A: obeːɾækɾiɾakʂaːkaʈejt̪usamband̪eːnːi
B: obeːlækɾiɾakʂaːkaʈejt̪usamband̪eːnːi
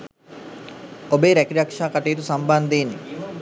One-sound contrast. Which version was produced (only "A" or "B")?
A